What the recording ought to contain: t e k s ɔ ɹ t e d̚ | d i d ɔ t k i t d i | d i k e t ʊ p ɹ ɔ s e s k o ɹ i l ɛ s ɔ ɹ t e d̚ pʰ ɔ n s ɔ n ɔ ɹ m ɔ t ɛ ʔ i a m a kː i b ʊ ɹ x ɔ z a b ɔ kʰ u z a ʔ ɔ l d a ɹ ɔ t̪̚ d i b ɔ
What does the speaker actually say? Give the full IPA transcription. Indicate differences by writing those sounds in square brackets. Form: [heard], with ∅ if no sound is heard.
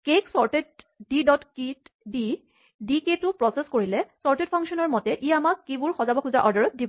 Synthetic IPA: [k] e k s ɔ ɹ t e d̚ | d i d ɔ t k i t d i | d i k e t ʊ p ɹ ɔ s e s k o ɹ i l ɛ s ɔ ɹ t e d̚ pʰ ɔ [ŋ] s ɔ n ɔ ɹ m ɔ t ɛ ʔ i a m a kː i b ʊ ɹ x ɔ z a b ɔ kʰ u z a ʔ ɔ [ɹ] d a ɹ ɔ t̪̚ d i b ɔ